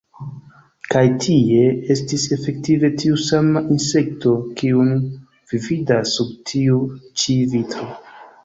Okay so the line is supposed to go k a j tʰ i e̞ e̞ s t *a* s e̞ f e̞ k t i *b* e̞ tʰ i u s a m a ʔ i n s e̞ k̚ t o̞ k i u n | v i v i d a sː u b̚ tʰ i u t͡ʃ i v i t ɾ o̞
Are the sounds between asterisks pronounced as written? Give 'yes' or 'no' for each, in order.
no, no

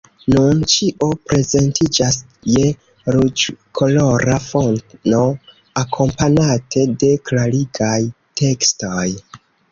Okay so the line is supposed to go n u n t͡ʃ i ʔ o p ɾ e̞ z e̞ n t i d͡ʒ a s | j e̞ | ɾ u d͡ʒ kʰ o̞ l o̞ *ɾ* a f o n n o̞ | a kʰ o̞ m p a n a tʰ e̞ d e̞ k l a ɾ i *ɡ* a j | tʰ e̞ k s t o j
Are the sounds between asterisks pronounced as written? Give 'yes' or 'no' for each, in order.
yes, yes

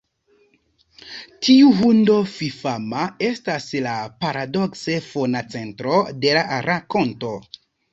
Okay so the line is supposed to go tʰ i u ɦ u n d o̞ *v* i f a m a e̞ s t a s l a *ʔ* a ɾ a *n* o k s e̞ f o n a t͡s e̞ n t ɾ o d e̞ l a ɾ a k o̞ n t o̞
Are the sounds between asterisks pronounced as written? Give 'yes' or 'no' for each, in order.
no, no, no

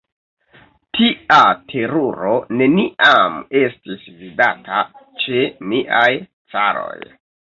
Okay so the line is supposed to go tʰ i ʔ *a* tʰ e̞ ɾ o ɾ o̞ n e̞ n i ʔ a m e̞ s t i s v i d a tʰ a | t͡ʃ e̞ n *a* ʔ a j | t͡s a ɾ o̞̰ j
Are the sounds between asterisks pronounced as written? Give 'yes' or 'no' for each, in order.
yes, no

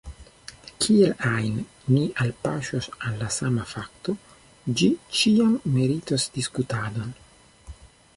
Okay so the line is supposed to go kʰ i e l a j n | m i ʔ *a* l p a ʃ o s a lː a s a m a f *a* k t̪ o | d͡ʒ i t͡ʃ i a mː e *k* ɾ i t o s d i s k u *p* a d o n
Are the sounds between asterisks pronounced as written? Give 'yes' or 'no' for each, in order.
yes, yes, no, no

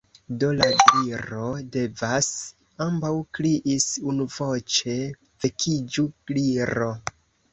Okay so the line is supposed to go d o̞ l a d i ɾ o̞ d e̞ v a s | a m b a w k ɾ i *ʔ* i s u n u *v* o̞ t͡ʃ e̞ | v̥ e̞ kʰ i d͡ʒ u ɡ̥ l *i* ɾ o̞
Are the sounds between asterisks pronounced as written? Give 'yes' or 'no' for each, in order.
yes, yes, yes

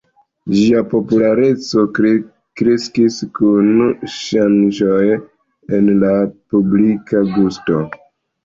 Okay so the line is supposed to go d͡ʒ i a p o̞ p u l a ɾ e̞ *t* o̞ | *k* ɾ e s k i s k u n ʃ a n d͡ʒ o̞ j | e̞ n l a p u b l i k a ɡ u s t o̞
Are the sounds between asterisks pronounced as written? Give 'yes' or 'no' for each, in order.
no, yes

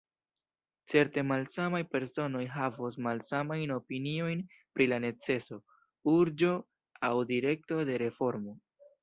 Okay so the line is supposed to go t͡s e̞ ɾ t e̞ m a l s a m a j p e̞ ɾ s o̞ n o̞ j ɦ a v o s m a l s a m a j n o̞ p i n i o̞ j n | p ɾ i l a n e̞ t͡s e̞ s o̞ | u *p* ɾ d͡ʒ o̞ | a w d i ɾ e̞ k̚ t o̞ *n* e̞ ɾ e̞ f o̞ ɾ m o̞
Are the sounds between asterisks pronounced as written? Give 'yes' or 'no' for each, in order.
no, no

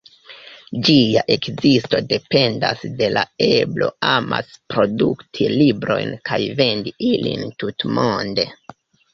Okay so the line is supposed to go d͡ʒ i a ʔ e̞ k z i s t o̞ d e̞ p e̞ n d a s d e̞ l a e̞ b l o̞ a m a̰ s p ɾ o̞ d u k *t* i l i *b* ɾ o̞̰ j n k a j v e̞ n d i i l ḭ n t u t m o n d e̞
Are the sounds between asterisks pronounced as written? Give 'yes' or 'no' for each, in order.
no, yes

